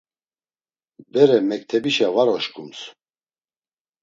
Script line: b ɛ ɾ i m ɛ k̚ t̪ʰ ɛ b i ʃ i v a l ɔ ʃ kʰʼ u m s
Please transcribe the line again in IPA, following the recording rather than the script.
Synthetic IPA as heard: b ɛ ɾ ɛ m ɛ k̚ t̪ʰ ɛ b i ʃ a v a ɾ ɔ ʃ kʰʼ u m s